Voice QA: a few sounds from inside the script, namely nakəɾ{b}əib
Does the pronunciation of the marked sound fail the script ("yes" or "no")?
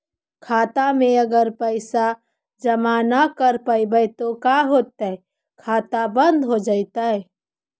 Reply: yes